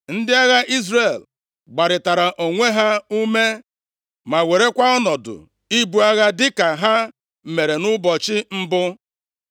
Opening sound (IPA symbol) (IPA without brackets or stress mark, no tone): n̩